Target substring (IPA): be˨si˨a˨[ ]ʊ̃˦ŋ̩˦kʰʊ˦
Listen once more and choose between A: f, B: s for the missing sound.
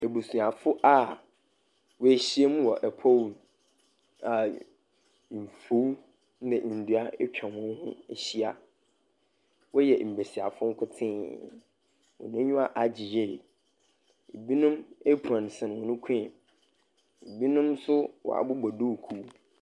A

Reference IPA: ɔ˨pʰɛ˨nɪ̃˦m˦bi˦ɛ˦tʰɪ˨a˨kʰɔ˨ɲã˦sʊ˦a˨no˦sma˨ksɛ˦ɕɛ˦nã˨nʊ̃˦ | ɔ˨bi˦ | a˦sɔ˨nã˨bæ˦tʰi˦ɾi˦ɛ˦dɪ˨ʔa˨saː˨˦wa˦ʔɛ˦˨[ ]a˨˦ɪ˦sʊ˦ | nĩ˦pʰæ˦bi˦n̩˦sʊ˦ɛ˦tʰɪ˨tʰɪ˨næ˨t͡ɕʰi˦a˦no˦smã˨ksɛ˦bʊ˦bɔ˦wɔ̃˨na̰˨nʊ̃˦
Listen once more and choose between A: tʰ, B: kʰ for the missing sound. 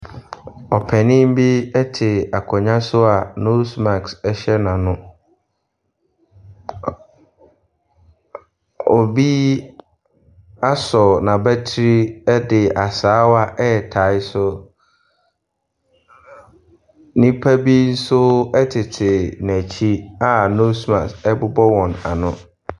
A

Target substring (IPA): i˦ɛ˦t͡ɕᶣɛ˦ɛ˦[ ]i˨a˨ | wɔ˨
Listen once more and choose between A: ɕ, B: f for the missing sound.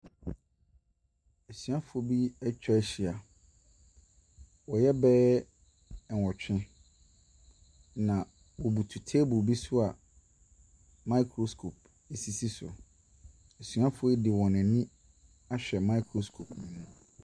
A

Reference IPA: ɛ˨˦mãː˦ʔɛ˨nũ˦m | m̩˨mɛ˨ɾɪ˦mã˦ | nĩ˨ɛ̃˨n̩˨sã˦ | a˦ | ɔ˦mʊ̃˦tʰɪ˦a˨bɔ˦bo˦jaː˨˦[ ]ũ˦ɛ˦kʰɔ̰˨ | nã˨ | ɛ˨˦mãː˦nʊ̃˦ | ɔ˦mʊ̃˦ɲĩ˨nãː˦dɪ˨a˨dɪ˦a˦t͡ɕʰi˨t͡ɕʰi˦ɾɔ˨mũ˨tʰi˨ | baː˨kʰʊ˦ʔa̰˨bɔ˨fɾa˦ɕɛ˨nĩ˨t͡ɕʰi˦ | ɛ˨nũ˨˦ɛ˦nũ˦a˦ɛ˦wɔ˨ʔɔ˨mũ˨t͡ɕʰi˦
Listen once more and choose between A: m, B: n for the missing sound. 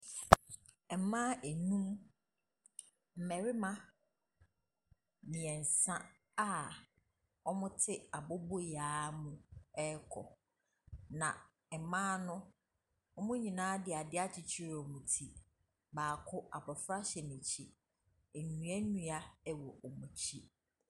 A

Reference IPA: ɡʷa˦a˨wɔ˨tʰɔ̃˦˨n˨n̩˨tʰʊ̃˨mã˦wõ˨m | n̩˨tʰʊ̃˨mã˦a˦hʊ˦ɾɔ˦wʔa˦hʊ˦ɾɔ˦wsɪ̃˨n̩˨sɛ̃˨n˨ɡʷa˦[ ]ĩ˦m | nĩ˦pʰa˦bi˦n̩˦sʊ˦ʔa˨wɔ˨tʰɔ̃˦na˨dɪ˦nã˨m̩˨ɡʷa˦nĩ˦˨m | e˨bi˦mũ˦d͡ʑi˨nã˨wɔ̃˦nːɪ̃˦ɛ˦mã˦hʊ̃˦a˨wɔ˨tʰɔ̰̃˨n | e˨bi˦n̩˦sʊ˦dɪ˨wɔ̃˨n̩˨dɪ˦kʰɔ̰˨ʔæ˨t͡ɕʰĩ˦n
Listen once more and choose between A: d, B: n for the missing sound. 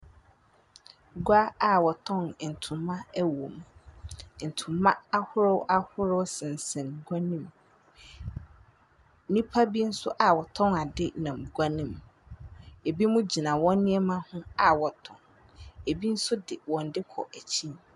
B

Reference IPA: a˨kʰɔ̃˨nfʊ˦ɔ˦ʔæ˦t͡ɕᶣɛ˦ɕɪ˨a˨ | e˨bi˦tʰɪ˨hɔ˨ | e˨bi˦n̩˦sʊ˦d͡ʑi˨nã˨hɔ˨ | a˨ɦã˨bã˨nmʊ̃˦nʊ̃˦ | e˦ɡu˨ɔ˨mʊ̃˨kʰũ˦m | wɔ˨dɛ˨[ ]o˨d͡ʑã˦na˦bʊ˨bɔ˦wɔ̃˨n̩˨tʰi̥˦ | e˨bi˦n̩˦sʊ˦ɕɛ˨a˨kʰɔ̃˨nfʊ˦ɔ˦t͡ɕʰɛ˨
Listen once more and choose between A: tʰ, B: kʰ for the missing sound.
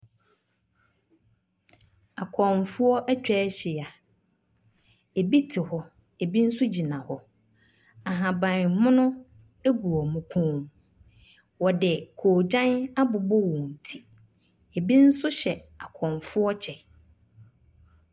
B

